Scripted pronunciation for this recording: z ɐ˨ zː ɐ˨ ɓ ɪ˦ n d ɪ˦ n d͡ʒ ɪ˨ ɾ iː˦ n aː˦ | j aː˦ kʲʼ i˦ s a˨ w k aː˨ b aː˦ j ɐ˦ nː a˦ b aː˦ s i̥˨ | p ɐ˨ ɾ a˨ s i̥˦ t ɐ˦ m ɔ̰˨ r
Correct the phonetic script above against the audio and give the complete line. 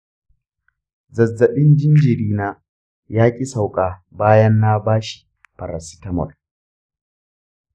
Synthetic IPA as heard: z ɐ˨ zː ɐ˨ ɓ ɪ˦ n d͡ʒ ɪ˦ n d͡ʒ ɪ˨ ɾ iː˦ n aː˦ | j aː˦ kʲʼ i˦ s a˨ w kʼ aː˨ b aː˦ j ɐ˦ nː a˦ b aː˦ ʃ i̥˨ | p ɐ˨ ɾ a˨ s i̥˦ t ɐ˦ m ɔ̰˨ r